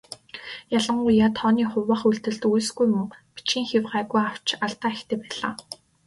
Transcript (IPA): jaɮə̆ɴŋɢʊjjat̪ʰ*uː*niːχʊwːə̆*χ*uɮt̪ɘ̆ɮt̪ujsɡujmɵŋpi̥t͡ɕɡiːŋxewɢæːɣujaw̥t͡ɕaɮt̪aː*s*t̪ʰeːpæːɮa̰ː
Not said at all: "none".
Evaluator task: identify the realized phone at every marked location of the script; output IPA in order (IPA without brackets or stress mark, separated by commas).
ɔː, χ, x